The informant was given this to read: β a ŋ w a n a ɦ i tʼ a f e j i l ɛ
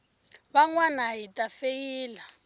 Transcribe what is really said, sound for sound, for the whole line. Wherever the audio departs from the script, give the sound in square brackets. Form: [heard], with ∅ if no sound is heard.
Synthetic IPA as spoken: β a ŋ w a n a ɦ i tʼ a f e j [iː] l [a]